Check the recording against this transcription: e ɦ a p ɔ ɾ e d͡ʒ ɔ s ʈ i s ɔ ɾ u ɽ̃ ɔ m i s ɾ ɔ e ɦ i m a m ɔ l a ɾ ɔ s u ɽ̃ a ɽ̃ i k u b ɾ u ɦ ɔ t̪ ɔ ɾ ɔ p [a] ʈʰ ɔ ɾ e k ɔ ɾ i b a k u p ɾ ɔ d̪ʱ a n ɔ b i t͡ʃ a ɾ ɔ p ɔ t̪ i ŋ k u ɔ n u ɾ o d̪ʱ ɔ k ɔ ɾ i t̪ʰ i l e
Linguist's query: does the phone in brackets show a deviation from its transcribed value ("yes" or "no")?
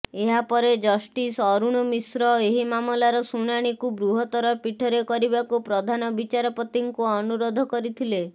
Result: yes